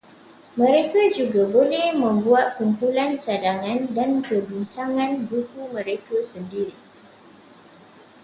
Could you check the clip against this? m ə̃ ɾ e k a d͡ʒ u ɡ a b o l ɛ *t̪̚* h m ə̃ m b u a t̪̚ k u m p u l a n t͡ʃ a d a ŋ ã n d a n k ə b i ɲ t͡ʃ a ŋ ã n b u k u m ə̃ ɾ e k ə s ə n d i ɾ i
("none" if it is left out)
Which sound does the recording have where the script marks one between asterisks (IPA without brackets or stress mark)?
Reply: none